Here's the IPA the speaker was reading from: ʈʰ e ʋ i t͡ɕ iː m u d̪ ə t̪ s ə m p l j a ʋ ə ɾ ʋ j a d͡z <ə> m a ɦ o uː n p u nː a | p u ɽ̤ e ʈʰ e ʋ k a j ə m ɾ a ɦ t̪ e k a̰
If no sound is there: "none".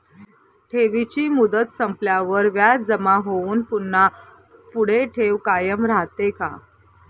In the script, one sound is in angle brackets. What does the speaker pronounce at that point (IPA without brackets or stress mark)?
ə